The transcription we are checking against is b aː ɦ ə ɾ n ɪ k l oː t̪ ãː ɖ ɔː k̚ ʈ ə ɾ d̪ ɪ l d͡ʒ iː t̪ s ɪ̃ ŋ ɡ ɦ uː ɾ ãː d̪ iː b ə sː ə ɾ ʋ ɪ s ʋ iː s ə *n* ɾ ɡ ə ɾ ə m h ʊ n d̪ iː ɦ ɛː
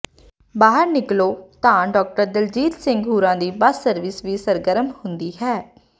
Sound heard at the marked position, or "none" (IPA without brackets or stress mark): none